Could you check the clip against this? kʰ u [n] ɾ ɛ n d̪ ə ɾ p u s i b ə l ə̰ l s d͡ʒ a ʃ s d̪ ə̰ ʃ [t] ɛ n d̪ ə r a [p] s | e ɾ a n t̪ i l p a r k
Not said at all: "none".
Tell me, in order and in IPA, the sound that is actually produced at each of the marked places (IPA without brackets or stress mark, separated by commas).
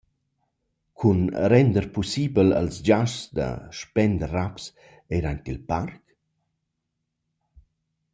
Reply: n, p, p